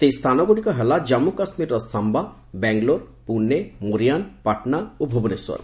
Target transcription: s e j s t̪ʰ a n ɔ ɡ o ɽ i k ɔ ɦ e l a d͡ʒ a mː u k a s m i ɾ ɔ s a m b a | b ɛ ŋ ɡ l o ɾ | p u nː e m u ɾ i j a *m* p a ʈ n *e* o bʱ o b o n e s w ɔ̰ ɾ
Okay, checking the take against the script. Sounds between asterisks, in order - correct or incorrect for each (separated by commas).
incorrect, incorrect